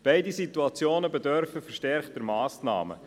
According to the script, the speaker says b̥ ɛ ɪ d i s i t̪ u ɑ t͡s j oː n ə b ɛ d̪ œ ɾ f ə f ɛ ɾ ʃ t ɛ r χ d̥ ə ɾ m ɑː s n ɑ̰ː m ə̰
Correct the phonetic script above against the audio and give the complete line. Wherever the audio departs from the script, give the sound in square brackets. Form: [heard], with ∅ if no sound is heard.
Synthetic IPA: b̥ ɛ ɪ d i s i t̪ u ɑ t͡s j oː n ə b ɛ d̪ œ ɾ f ə f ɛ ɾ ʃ t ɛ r χ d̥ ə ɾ m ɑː s n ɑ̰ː m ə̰